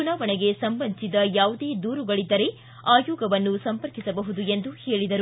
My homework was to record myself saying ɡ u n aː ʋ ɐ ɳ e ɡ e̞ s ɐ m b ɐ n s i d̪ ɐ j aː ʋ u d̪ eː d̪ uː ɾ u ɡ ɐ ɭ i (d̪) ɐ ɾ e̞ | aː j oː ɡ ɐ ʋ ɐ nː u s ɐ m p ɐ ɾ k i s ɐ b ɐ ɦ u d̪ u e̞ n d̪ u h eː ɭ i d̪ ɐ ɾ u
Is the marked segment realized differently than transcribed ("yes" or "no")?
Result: yes